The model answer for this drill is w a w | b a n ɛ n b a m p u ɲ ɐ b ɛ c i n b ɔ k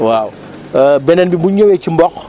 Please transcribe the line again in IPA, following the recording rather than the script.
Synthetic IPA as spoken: w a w | b ɛ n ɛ n b i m b u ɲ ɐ w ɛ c i m b ɔ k